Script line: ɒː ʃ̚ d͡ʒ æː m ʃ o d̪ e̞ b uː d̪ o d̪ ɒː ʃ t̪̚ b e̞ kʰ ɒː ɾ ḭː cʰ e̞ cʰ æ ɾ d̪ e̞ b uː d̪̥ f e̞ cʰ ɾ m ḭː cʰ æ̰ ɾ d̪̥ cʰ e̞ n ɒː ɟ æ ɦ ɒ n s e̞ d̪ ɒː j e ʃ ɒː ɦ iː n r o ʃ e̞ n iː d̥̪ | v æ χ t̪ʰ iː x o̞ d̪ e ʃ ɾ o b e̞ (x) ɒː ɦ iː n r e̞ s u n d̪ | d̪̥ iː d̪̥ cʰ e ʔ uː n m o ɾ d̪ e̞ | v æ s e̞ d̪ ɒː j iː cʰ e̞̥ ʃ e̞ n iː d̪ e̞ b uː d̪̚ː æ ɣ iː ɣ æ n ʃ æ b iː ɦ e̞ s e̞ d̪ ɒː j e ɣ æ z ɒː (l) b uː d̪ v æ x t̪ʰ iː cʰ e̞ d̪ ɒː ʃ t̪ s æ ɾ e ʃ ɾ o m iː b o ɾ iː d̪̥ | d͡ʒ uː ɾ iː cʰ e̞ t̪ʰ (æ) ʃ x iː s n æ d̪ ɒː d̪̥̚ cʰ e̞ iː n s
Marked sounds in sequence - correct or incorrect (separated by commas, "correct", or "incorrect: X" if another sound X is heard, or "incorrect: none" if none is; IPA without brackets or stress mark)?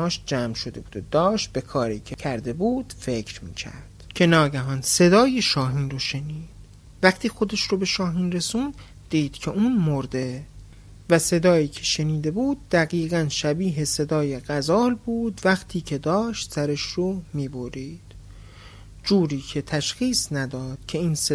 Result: incorrect: ʃ, correct, correct